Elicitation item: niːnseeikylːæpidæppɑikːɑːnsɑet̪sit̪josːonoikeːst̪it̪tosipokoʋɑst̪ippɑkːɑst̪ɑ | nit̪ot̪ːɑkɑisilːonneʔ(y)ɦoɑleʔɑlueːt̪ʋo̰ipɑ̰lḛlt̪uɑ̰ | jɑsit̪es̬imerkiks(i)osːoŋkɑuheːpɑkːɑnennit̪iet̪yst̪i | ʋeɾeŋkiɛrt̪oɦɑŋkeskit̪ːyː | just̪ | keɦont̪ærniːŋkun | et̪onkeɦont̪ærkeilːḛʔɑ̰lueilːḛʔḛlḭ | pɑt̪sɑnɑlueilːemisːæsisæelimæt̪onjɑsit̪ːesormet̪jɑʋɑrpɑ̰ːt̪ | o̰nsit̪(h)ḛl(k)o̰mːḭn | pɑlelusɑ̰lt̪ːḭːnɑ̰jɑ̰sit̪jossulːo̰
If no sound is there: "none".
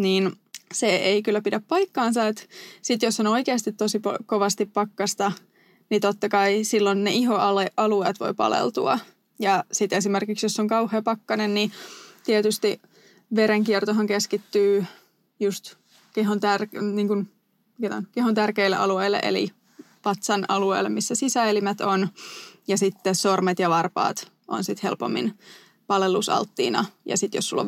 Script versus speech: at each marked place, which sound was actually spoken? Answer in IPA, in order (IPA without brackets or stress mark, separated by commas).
i, j, h, p